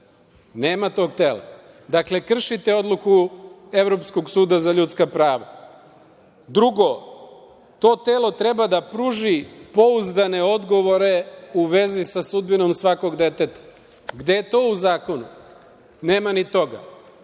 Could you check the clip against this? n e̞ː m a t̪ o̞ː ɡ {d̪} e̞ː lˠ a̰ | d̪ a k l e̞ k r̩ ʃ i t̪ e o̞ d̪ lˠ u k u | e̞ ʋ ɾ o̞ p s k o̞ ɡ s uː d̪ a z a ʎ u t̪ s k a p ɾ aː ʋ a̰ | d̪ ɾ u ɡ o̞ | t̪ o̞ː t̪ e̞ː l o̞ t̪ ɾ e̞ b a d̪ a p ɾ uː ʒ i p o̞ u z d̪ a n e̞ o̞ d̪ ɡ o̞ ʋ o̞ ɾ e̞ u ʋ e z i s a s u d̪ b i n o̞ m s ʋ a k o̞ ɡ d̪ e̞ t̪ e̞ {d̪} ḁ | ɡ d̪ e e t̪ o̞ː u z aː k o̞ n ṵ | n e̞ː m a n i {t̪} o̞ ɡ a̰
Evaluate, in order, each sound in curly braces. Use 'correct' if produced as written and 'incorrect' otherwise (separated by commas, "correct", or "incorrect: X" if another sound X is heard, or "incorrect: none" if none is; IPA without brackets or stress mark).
incorrect: t̪, incorrect: t̪, correct